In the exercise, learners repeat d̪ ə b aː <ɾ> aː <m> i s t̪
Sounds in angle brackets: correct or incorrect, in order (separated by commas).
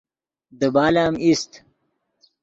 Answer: incorrect, correct